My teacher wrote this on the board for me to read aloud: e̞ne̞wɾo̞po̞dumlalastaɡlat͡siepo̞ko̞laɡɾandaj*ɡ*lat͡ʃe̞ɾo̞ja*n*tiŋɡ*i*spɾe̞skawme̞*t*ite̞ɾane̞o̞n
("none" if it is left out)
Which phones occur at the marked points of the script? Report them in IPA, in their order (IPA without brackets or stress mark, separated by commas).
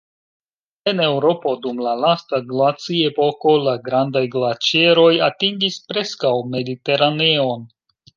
ɡ, none, i, d